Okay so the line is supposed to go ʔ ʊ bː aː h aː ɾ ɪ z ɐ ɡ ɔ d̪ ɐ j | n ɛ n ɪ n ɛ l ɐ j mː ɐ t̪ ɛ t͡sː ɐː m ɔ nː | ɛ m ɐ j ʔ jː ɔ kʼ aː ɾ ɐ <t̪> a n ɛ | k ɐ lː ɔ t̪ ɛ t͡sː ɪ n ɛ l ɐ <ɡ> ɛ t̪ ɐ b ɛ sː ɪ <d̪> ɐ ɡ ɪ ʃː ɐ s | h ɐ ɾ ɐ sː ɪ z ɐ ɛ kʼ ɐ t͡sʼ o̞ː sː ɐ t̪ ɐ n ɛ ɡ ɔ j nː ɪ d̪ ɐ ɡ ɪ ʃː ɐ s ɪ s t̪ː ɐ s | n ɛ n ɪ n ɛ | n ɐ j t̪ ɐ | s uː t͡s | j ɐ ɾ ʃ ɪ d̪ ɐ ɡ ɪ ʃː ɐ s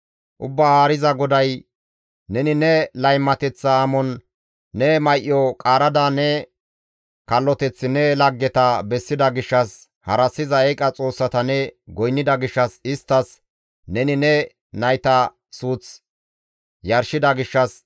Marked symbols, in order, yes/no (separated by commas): no, no, yes